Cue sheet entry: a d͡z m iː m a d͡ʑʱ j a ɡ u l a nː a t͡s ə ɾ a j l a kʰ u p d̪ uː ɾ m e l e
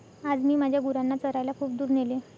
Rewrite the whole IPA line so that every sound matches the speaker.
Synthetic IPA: a d͡z m iː m a d͡ʑʱ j a ɡ u ɾ a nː a t͡s ə ɾ a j l a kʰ uː p d̪ uː ɾ n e l e

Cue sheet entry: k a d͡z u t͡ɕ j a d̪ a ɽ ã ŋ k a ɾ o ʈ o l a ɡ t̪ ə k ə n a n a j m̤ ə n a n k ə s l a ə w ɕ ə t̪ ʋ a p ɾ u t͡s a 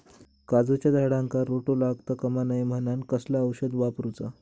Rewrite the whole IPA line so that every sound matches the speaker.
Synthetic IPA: k a d͡z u t͡ɕ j a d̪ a ɽ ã ŋ k a ɾ o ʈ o l a ɡ t̪ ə k ə m a n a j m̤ ə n a n k ə s l a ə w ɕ ə d̪ ʋ a p ɾ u t͡s a

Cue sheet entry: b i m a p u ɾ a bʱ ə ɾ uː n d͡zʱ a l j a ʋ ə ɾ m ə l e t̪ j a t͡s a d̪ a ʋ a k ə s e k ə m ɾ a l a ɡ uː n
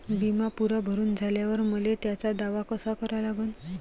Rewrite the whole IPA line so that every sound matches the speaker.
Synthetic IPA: b i m a p u ɾ a bʱ ə ɾ uː n d͡zʱ a l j a ʋ ə ɾ m ə l e t̪ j a t͡s a d̪ a ʋ a k ə s a k ə ɾ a l a ɡ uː n

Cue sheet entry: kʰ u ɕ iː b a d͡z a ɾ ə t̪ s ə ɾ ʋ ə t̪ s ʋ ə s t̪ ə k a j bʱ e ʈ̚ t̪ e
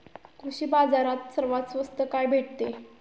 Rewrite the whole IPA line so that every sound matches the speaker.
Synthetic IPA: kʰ u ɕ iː b a d͡z a ɾ a t̪ s ə ɾ ʋ a t̪ s ʋ ə s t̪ ə k a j bʱ e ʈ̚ t̪ e

